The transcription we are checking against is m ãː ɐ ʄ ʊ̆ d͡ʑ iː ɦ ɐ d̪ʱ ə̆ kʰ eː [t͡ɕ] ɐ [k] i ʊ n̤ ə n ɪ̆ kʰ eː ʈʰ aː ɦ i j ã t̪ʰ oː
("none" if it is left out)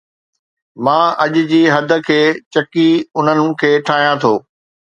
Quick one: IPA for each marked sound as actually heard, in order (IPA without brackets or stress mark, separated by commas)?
t͡ɕ, k